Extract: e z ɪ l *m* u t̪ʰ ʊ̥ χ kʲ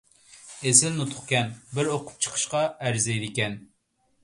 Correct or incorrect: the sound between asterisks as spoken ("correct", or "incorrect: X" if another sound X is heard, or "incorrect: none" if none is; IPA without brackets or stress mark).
incorrect: n